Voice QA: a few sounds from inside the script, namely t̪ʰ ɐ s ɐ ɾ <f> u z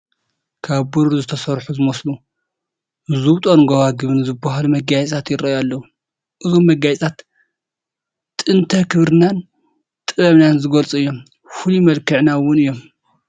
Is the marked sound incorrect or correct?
incorrect